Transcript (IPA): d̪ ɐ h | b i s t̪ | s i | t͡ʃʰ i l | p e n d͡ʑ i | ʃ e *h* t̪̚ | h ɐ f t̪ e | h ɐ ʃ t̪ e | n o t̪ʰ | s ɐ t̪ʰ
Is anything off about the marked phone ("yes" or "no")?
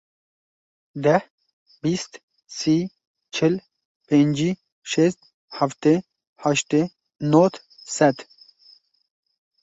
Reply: yes